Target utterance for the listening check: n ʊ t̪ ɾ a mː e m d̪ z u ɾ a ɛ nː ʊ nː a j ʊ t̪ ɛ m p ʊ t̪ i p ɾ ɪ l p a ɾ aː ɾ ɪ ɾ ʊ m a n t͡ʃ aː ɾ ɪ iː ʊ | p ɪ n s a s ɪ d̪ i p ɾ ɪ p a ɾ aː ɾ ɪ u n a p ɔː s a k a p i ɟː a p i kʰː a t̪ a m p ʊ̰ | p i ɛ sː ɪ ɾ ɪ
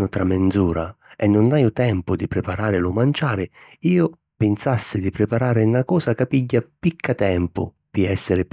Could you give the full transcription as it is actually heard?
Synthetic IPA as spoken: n ʊ t̪ ɾ a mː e n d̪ z uː ɾ a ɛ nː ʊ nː a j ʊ t̪ ɛ m p ʊ d̪ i p ɾ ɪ p a ɾ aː ɾ ɪ l ʊ m a n t͡ʃ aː ɾ ɪ iː ʊ | p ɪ n s a sː ɪ d̪ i p ɾ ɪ p a ɾ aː ɾ ɪ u n a k ɔː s a k a p i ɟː a p i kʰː a t̪ ɛ m p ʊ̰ | p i ɛ sː ɪ ɾ ɪ